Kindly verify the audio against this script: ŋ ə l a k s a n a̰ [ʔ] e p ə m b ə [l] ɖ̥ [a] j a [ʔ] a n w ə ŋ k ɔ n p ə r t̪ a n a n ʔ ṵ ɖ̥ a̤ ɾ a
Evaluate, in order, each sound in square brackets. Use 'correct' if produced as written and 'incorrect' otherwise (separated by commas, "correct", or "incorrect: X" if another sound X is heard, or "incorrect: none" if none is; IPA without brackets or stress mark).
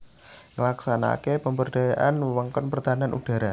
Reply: incorrect: k, incorrect: r, correct, correct